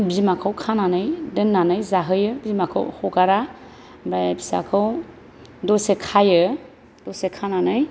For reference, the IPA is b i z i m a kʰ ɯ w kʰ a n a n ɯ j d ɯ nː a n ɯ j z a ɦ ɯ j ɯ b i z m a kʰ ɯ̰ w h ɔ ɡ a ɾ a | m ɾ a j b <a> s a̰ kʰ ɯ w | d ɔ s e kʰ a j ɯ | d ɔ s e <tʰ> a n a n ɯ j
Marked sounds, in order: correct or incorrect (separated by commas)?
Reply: incorrect, incorrect